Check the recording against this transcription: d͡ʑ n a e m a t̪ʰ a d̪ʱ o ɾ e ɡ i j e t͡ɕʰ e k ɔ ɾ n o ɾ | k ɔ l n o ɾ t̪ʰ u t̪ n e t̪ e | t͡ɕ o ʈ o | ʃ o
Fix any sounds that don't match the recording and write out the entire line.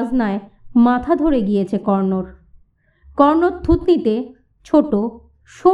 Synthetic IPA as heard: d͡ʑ n a e m a t̪ʰ a d̪ʱ o ɾ e ɡ i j e t͡ɕʰ e k ɔ ɾ n o ɾ | k ɔ ɾ n o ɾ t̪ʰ u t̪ n i t̪ e | t͡ɕʰ o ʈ o | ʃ o